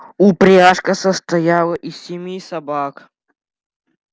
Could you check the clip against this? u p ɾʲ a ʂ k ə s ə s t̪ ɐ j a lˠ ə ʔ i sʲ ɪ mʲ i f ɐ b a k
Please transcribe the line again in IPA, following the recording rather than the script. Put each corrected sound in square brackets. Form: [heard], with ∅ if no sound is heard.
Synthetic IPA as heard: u p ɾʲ a ʂ k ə s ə s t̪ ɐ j a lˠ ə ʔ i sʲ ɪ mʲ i [s] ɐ b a k

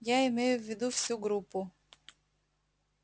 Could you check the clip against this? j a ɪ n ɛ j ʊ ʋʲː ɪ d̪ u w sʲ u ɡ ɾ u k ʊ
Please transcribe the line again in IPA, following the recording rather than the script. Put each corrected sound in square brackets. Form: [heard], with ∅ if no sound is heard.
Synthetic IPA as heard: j a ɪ [m] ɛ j ʊ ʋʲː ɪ d̪ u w sʲ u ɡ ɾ u [p] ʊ

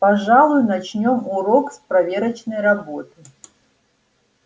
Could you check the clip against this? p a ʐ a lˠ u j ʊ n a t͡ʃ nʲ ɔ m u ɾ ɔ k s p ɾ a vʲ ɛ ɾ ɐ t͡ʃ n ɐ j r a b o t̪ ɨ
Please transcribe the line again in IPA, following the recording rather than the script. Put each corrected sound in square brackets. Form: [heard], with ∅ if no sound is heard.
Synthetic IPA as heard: p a ʐ a lˠ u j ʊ n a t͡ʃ nʲ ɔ m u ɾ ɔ k s p ɾ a vʲ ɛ ɾ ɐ t͡ʃ n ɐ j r a b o t̪ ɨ

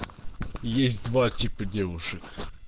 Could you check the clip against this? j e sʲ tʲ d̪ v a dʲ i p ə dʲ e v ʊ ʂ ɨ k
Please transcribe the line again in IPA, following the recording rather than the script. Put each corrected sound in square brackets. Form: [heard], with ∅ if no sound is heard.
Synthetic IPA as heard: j e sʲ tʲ d̪ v a [tʲ] i p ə dʲ e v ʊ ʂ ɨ k

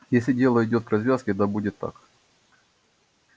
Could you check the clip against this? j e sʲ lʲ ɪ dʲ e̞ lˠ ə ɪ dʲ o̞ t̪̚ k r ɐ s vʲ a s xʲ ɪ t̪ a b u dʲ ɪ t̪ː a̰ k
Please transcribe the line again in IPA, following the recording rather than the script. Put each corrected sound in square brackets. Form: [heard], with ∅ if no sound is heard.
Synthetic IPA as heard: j e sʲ lʲ ɪ dʲ e̞ lˠ ə ɪ dʲ o̞ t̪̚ k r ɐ [z] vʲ a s [kʲ] ɪ [d̪] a b u dʲ ɪ t̪ː a̰ k

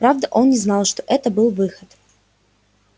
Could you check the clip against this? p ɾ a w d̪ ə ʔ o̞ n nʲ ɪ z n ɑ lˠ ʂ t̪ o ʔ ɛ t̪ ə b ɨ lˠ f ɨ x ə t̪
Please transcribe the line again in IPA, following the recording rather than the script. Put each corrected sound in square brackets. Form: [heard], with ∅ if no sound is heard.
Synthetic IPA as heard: p ɾ a [v] d̪ ə ʔ o̞ n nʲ ɪ z n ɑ lˠ ʂ t̪ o ʔ ɛ t̪ ə b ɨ lˠ [v] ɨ x ə t̪

